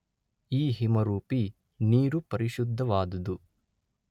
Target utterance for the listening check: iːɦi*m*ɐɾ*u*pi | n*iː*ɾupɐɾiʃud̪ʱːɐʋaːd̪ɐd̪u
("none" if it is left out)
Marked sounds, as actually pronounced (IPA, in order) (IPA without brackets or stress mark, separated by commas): m, uː, iː